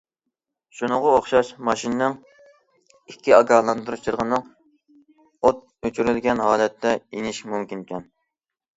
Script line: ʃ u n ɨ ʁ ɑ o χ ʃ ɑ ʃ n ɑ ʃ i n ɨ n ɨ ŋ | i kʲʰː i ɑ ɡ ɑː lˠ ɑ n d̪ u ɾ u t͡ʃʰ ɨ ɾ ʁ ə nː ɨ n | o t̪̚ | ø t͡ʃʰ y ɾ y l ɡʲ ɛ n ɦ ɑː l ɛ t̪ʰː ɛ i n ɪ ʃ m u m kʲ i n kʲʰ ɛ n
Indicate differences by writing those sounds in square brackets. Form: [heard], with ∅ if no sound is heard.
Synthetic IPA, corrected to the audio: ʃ u n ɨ ʁ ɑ o χ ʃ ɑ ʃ [m] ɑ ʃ i n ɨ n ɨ ŋ | i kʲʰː i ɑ ɡ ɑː lˠ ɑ n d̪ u ɾ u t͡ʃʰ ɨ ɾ ʁ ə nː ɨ [ŋ] | o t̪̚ | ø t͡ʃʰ y ɾ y l ɡʲ ɛ n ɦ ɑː l ɛ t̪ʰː ɛ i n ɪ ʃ m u m kʲ i n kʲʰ ɛ n

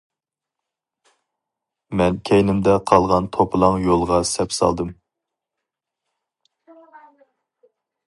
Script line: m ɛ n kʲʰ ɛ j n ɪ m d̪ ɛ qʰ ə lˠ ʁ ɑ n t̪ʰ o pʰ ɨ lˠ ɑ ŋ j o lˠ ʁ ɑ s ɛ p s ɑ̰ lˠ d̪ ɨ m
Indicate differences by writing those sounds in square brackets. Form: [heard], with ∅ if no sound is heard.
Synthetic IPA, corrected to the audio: m ɛ n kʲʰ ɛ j n ɪ m d̪ ɛ qʰ [ɑ] lˠ ʁ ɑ n t̪ʰ o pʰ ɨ lˠ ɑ ŋ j o lˠ ʁ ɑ s ɛ p s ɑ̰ lˠ d̪ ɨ m

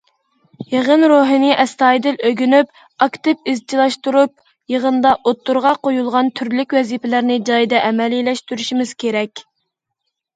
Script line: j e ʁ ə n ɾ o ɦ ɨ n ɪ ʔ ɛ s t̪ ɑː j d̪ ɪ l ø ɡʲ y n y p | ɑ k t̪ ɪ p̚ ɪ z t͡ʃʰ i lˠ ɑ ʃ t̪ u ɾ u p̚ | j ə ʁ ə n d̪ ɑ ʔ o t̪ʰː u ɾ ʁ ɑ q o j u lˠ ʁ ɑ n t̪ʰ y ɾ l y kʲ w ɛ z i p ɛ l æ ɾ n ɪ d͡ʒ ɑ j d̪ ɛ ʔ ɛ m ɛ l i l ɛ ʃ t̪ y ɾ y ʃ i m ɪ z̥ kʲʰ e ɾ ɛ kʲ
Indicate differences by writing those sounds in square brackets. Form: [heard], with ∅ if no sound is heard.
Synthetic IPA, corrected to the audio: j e ʁ ə n ɾ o ɦ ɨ n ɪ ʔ ɛ s t̪ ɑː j d̪ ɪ l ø ɡʲ y n y p | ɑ k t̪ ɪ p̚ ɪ z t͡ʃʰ i lˠ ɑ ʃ t̪ u ɾ u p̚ | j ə ʁ ə n d̪ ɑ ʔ o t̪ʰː u ɾ ʁ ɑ q o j u lˠ ʁ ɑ n t̪ʰ y ɾ l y kʲ w ɛ z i p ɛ l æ ɾ n ɪ d͡ʒ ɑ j d̪ ɛ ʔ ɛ m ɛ l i l ɛ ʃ t̪ y ɾ y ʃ i m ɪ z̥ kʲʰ e ɾ ɛ kʲ

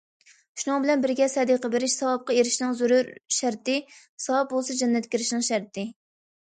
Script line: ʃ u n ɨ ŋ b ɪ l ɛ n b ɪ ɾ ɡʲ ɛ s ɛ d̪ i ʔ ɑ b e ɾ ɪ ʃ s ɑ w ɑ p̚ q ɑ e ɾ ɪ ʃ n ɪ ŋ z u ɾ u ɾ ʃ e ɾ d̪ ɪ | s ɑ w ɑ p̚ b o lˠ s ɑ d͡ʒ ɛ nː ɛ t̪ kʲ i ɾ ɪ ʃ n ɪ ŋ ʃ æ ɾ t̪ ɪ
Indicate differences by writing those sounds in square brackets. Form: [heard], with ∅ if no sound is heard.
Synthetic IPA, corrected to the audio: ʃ u n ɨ ŋ b ɪ l ɛ n b ɪ ɾ ɡʲ ɛ s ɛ d̪ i [q] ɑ b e ɾ ɪ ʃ s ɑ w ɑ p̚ q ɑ e ɾ ɪ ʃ n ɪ ŋ z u ɾ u ɾ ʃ [æ] ɾ [t̪] ɪ | s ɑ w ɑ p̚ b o lˠ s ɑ d͡ʒ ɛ nː ɛ t̪ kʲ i ɾ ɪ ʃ n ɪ ŋ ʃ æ ɾ t̪ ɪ

